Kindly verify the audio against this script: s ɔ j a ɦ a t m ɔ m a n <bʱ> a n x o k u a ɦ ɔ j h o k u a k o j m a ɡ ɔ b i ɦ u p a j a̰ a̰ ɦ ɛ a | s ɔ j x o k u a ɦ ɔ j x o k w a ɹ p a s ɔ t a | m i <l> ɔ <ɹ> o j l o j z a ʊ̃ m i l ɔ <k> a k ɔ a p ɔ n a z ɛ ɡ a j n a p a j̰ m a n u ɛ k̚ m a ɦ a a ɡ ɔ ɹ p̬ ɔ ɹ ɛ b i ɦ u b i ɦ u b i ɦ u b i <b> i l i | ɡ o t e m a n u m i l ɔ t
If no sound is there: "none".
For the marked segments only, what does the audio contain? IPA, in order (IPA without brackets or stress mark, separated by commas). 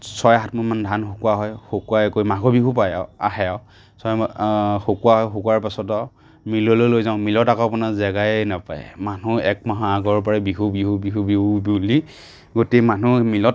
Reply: dʱ, l, l, t, b